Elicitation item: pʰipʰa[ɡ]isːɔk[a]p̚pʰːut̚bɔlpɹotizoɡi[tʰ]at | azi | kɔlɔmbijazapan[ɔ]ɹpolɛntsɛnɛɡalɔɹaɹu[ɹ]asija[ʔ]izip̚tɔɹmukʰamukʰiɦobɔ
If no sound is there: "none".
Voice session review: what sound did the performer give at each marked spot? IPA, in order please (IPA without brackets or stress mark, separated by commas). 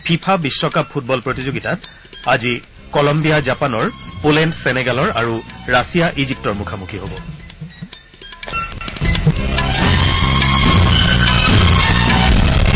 b, a, t, ɔ, ɹ, ʔ